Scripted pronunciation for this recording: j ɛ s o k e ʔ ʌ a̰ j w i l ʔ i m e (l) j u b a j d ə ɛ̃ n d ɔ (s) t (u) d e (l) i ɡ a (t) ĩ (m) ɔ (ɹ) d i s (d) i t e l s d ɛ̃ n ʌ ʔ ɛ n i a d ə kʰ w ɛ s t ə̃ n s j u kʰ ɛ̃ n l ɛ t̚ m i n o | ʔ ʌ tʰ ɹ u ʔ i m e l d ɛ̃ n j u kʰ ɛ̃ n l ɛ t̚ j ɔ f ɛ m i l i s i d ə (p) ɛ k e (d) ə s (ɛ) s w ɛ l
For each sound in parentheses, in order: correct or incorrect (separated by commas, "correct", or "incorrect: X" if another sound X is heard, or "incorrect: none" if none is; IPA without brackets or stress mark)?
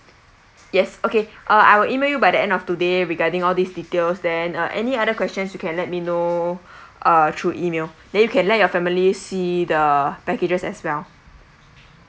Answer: correct, incorrect: f, correct, incorrect: ɹ, incorrect: d, incorrect: ŋ, incorrect: l, correct, correct, incorrect: d͡ʒ, correct